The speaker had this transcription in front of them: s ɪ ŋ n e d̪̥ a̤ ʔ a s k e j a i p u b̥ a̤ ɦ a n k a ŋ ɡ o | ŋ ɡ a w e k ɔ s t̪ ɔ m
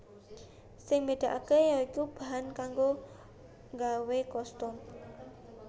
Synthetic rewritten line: s ɪ ŋ m e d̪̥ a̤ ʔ a k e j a i k u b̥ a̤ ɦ a n k a ŋ ɡ o | ŋ ɡ a w e k ɔ s t̪ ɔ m

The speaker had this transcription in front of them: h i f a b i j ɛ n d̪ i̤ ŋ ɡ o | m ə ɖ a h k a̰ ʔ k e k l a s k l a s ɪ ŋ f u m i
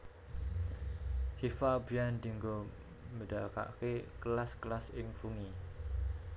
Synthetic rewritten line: h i f a b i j a n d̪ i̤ ŋ ɡ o | m ə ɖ a k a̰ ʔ k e k l a s k l a s ɪ ŋ f u ŋ i

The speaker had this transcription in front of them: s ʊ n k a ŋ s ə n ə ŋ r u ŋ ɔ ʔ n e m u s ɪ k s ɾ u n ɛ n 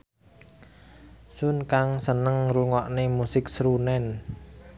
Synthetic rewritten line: s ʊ n k a ŋ s ə n ə ŋ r u ŋ ɔ ʔ n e m u s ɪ k s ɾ u n ɛ n

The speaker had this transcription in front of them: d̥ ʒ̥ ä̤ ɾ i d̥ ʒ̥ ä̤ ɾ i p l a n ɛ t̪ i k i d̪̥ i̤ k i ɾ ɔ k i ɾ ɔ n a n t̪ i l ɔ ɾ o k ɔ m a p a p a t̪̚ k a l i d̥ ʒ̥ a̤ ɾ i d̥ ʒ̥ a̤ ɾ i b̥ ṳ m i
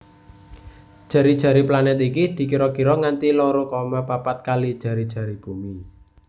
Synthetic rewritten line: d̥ ʒ̥ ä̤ ɾ i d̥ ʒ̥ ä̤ ɾ i p l a n ɛ t̪ i k i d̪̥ i̤ k i ɾ ɔ k i ɾ ɔ ŋ a n t̪ i l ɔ ɾ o k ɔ m a p a p a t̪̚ k a l i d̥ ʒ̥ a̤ ɾ i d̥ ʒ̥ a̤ ɾ i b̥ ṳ m i

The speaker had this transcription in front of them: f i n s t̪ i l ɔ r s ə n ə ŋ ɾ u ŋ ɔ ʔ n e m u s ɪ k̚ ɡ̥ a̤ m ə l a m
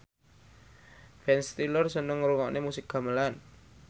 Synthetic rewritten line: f ɛ n s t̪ i l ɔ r s ə n ə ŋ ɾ u ŋ ɔ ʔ n e m u s ɪ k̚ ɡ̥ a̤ m ə l a n

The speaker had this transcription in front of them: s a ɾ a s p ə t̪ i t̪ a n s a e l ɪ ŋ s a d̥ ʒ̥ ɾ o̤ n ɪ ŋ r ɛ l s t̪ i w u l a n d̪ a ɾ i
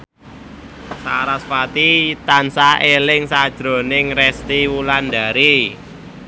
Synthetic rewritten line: s a ɾ a s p a t̪ i t̪ a n s a e l ɪ ŋ s a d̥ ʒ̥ ɾ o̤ n ɪ ŋ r ɛ s t̪ i w u l a n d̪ a ɾ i

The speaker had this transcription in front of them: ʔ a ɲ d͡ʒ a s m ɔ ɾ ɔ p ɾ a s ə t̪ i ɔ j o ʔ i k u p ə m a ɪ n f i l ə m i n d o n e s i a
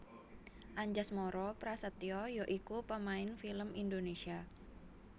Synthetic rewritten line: ʔ a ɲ d͡ʒ a s m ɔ ɾ ɔ p ɾ a s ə t̪ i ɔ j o ʔ i k u p ə m a ɪ n f i l ə m i n d o n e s i a

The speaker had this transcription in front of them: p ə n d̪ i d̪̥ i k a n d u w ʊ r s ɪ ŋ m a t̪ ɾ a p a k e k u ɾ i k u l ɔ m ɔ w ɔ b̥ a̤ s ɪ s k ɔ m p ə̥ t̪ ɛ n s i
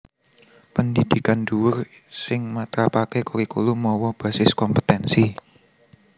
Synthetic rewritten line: p ə n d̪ i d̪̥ i k a n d u w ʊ r s ɪ ŋ m a t̪ ɾ a p a k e k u ɾ i k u l u m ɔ w ɔ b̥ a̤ s ɪ s k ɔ m p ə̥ t̪ ɛ n s i

